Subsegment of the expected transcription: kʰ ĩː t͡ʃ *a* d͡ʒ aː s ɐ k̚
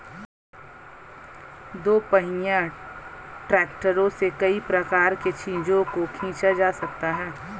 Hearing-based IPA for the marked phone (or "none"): a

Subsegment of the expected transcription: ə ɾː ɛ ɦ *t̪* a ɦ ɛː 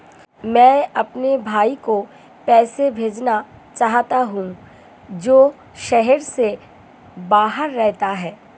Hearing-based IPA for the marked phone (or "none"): t̪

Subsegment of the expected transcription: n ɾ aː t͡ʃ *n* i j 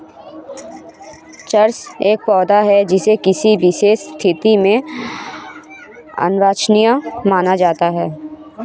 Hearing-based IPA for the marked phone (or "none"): n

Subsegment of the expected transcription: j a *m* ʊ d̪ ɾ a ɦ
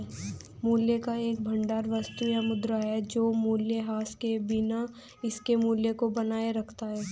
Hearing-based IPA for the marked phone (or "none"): m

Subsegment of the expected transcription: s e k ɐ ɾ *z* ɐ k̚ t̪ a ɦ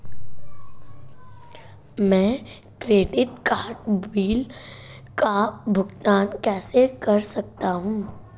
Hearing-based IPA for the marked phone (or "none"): s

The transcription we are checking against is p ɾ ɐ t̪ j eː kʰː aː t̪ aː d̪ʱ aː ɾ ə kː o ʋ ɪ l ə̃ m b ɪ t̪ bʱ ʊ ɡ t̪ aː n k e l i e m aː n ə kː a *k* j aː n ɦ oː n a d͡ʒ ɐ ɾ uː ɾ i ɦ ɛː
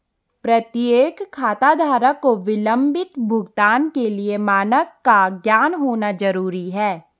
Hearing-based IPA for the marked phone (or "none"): ɡ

